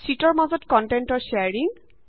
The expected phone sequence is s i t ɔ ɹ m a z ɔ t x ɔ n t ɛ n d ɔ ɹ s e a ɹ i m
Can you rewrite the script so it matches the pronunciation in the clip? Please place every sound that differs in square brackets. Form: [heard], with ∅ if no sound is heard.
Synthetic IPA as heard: s i t ɔ ɹ m a z ɔ t [k] ɔ n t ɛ n [t] ɔ ɹ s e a ɹ i [ŋ]